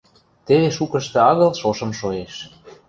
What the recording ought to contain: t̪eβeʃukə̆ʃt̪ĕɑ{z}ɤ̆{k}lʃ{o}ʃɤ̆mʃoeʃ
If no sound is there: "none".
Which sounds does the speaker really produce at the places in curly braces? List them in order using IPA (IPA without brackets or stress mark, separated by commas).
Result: ɣ, none, o